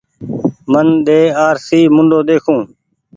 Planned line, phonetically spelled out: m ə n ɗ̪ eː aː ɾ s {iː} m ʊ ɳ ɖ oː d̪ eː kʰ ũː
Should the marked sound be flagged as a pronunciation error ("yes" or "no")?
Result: no